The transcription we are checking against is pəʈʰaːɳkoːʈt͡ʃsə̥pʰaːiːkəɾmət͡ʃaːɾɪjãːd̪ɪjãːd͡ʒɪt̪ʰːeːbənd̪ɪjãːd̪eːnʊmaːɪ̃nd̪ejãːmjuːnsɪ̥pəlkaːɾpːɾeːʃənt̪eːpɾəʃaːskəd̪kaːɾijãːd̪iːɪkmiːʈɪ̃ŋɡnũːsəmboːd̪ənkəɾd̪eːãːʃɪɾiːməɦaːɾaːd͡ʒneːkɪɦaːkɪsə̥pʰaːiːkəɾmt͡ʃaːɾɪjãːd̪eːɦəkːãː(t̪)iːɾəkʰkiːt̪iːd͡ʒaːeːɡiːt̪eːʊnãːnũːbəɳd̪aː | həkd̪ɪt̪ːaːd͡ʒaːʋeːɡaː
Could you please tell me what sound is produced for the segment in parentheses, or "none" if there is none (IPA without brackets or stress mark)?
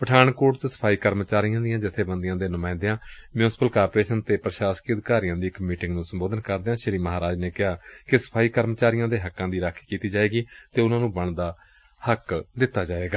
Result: d̪